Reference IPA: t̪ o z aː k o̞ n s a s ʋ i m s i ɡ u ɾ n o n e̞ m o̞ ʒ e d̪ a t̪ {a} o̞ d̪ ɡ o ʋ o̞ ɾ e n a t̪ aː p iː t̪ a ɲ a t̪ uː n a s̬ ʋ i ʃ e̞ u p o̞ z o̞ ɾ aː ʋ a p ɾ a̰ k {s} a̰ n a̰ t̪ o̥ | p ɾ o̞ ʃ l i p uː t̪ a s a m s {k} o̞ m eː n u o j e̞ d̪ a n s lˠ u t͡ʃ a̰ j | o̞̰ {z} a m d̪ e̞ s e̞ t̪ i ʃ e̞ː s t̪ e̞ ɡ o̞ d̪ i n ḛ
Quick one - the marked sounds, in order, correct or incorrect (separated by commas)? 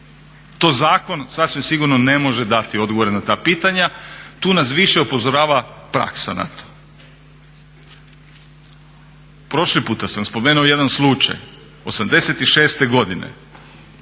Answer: incorrect, correct, incorrect, incorrect